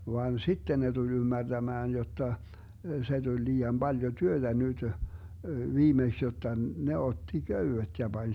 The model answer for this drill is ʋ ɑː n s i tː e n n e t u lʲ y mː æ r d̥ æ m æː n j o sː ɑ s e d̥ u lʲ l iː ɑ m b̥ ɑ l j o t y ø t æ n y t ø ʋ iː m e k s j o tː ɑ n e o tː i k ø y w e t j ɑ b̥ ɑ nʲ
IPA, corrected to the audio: ʋ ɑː n s i tː e n n e t u lʲ y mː æ r d̥ æ m æː n j o tː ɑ s e d̥ u lʲ l iː ɑ m b̥ ɑ l j o t y ø t æ n y t ø ʋ iː m e k s j o tː ɑ n e o tː i k ø y w e t j ɑ b̥ ɑ nʲ